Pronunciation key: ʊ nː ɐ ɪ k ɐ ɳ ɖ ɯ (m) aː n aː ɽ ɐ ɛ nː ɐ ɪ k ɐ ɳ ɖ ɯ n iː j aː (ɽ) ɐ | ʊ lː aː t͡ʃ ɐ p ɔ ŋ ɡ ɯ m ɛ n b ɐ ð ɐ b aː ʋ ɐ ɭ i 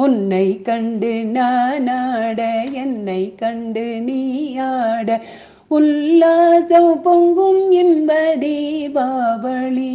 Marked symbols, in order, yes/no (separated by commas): no, yes